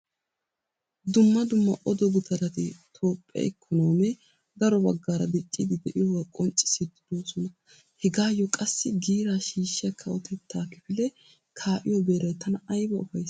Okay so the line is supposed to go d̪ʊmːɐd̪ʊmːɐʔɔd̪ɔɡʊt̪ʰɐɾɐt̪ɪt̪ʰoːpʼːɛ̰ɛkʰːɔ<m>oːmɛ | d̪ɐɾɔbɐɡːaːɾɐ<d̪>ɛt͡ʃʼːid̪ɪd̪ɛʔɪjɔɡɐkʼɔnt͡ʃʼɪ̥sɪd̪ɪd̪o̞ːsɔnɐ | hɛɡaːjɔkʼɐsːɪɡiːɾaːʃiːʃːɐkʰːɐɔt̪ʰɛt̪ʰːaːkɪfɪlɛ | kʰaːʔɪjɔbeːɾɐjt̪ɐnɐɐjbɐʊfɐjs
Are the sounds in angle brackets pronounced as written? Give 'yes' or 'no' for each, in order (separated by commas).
no, yes